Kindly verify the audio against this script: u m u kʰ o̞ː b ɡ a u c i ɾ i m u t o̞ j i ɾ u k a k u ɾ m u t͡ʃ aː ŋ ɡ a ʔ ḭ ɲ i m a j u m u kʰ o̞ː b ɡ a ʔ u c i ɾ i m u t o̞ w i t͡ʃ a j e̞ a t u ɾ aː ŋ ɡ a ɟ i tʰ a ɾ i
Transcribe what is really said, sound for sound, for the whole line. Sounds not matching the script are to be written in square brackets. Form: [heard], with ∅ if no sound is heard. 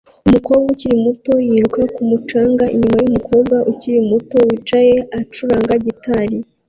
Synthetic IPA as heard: u m u [k] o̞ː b ɡ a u c i ɾ i m u t o̞ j i ɾ u k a k u [∅] m u t͡ʃ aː ŋ ɡ a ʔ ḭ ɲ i m a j u m u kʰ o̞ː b ɡ a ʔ u c i ɾ i m u t o̞ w i t͡ʃ a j e̞ a [t͡ʃ] u ɾ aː ŋ ɡ a ɟ i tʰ a ɾ i